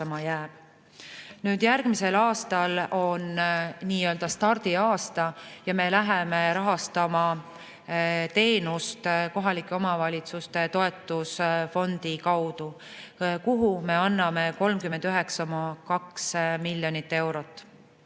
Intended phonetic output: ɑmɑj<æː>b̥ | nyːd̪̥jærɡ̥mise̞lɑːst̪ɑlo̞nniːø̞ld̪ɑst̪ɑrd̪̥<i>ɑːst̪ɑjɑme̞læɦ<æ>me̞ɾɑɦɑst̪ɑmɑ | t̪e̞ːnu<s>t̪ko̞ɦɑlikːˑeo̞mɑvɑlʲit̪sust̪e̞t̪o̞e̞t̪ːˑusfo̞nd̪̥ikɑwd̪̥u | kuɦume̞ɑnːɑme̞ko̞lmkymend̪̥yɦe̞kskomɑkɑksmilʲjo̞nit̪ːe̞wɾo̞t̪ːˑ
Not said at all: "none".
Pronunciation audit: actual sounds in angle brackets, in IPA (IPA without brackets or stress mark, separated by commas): æː, i, e, s